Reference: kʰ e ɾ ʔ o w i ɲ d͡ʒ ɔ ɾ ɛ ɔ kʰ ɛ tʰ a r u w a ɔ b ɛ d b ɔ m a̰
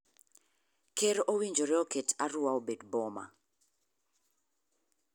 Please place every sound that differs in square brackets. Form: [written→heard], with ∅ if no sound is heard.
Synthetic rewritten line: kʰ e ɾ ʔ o w i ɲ d͡ʒ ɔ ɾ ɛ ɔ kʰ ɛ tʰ a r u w a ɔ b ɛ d b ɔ m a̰